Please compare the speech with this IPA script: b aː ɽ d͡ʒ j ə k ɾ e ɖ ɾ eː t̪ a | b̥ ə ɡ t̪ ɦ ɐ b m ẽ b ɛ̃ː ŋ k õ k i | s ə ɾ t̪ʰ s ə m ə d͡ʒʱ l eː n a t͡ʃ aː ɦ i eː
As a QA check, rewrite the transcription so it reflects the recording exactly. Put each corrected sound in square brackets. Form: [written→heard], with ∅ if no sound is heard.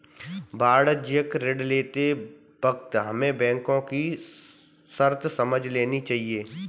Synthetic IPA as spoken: b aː ɽ d͡ʒ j ə k ɾ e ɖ [ɾ→l] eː t̪ [a→e] | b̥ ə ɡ t̪ ɦ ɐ [b→∅] m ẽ b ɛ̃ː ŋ k õ k i | s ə ɾ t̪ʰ s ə m ə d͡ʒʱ l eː n [a→i] t͡ʃ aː ɦ i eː

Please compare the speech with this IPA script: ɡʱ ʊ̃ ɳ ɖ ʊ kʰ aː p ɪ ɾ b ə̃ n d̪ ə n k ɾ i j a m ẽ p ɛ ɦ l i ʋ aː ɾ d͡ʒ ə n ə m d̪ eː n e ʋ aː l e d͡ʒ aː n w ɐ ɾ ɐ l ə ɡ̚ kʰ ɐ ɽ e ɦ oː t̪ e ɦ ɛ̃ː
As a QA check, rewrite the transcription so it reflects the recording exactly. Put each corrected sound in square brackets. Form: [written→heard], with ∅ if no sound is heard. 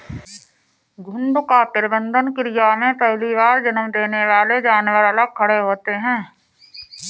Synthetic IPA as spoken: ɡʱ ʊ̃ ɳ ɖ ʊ [kʰ→k] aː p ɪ ɾ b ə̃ n d̪ ə n k ɾ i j a m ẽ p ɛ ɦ l i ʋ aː ɾ d͡ʒ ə n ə m d̪ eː n e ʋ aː l e d͡ʒ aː n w [ɐ→ə] ɾ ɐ l ə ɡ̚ kʰ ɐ ɽ e ɦ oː t̪ e ɦ ɛ̃ː

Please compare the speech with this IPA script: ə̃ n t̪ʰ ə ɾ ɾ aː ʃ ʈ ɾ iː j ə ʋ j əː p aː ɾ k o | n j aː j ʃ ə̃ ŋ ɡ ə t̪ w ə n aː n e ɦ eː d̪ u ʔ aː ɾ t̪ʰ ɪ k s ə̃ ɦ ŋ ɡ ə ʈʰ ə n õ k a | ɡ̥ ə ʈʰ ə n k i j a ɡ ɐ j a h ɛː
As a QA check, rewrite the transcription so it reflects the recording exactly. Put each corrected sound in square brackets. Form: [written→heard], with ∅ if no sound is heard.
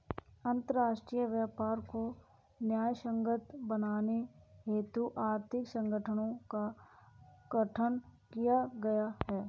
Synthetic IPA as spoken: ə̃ n [t̪ʰ→t̪] ə ɾ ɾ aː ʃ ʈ ɾ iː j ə ʋ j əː p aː ɾ k o | n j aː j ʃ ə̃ ŋ ɡ ə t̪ [w→b] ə n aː n e ɦ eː [d̪→t̪] u ʔ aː ɾ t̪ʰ ɪ k s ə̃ [ɦ→∅] ŋ ɡ ə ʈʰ ə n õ k a | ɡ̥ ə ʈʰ ə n k i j a ɡ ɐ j a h ɛː

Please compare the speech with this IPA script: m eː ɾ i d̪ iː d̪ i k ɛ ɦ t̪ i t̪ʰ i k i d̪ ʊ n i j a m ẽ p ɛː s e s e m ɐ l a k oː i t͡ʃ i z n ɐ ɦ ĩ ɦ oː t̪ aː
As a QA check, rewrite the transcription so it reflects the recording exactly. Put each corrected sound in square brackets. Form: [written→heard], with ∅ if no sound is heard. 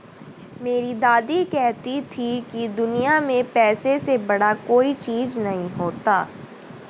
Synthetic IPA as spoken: m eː ɾ i d̪ [iː→aː] d̪ i k ɛ ɦ t̪ i t̪ʰ i k i d̪ ʊ n i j a m ẽ p ɛː s e s e [m→b] ɐ [l→ɽ] a k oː i t͡ʃ [i→iː] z n ɐ ɦ ĩ ɦ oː t̪ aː

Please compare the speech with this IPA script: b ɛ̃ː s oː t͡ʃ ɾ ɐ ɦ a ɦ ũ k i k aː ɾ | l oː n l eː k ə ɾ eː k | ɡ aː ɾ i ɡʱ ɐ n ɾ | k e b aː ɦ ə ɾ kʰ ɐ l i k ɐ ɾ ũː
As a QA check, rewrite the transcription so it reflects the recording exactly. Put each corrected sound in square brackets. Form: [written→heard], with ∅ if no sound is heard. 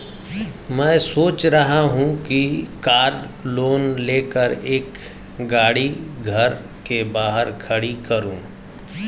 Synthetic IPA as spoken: [b→m] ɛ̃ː s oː t͡ʃ ɾ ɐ ɦ a ɦ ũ k i k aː ɾ | l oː n l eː k ə ɾ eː k | ɡ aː [ɾ→ɽ] i ɡʱ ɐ [n→∅] ɾ | k e b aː ɦ ə ɾ kʰ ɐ [l→ɽ] i k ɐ ɾ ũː

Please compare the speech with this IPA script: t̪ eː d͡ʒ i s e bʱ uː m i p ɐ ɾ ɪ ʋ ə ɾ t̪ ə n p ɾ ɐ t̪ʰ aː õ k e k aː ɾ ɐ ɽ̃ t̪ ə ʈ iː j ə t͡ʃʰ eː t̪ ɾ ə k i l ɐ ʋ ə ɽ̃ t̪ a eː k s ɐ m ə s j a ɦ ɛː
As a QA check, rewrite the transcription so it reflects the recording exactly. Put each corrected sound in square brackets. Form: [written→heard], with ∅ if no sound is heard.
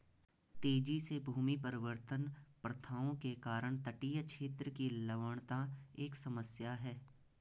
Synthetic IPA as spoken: t̪ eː d͡ʒ i s e bʱ uː m i p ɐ ɾ ɪ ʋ ə ɾ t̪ ə n p ɾ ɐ t̪ʰ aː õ k e k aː ɾ [ɐ→ə] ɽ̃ t̪ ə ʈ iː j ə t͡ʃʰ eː t̪ ɾ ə k i l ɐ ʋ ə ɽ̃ t̪ a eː k s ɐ m ə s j a ɦ ɛː

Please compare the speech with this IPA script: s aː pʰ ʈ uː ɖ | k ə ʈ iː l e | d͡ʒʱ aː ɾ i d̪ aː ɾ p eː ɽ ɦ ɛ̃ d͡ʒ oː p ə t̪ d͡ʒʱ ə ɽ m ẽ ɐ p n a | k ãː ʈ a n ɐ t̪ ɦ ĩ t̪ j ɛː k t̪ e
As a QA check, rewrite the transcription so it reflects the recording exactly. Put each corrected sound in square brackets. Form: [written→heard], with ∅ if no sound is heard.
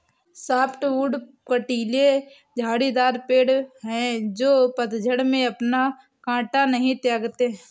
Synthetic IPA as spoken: s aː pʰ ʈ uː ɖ | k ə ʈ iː l e | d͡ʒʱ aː [ɾ→ɽ] i d̪ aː ɾ p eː ɽ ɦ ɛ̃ d͡ʒ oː p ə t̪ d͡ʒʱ ə ɽ m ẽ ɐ p n a | k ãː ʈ a n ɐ [t̪→∅] ɦ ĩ t̪ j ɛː [k→ɡ] t̪ e

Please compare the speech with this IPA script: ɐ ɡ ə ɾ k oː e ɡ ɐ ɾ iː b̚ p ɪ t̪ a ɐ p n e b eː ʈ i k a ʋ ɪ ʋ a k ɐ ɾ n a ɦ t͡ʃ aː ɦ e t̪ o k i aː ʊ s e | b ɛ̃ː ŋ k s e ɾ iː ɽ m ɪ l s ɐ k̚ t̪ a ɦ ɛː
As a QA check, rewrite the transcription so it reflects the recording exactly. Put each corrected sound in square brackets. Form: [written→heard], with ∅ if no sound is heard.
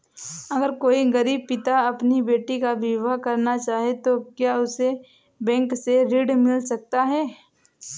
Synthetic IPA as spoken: ɐ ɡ ə ɾ k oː [e→i] ɡ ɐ ɾ iː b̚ p ɪ t̪ a ɐ p n [e→i] b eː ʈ i k a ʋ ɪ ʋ a k ɐ ɾ n a [ɦ→∅] t͡ʃ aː ɦ e t̪ o k [i→j] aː ʊ s e | b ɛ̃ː ŋ k s e ɾ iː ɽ m ɪ l s ɐ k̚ t̪ a ɦ ɛː

